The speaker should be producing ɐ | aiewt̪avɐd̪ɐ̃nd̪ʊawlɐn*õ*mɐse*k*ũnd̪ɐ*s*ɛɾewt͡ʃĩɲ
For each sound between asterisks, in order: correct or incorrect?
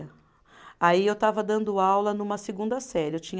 incorrect: ũ, incorrect: ɡ, correct

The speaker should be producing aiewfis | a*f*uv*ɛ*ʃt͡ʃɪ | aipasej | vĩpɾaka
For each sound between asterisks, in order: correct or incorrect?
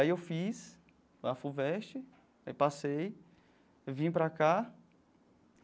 correct, correct

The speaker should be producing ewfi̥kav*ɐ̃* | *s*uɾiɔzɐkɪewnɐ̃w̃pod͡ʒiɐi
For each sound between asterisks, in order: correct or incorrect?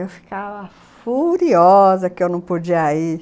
incorrect: ɐ, incorrect: f

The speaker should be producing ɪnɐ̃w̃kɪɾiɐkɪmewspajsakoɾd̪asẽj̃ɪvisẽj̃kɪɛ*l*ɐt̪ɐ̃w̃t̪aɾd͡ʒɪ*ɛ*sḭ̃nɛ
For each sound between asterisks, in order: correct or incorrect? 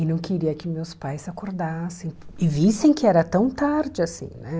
incorrect: ɾ, incorrect: a

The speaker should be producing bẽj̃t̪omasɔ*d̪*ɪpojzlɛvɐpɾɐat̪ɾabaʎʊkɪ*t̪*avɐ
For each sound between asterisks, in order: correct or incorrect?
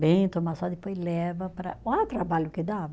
correct, incorrect: d̪

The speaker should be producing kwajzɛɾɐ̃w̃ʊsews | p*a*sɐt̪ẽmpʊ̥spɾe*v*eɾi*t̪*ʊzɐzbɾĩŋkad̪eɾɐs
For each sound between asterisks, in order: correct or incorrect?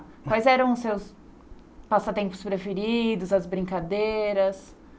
correct, incorrect: f, incorrect: d̪

